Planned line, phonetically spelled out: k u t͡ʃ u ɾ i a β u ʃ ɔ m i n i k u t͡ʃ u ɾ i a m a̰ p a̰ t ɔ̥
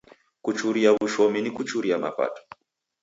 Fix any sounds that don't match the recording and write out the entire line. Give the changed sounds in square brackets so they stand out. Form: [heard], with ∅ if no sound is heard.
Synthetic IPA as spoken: k u t͡ʃ u ɾ i a β u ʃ ɔ m i n i k u t͡ʃ u ɾ i a m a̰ p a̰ t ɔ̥